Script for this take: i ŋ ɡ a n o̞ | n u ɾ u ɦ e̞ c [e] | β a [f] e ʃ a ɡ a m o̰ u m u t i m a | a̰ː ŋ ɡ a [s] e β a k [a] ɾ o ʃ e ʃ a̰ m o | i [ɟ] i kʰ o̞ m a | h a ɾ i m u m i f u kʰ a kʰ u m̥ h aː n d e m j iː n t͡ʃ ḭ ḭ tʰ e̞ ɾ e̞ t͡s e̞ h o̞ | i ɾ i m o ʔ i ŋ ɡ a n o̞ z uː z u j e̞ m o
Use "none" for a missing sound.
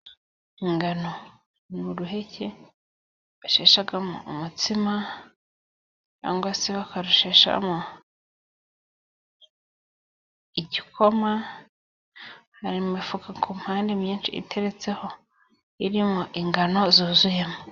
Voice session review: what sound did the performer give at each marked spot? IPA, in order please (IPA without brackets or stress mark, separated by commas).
e, ʃ, s, a, ɟ